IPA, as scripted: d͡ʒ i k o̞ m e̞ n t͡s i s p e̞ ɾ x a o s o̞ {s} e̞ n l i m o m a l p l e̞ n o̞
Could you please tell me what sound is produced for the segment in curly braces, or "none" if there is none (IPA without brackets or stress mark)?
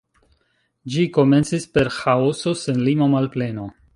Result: s